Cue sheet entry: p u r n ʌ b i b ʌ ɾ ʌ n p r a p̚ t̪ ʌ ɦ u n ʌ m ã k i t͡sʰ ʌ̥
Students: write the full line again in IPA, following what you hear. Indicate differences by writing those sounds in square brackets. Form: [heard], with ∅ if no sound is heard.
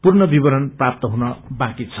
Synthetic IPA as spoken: p u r n ʌ b i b ʌ ɾ ʌ n p r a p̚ t̪ ʌ ɦ u n ʌ [b] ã k i t͡sʰ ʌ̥